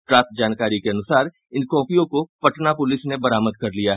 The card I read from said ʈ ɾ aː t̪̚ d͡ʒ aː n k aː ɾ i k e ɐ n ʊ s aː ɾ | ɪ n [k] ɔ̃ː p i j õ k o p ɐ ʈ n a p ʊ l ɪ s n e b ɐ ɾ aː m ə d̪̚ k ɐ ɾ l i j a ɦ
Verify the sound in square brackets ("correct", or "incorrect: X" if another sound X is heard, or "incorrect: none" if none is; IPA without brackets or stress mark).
correct